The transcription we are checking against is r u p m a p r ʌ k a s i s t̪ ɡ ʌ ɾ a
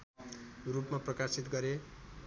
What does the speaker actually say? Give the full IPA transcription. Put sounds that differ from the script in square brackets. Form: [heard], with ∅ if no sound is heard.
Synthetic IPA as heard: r u p m a p r ʌ k a s i [∅] t̪ ɡ ʌ ɾ [e]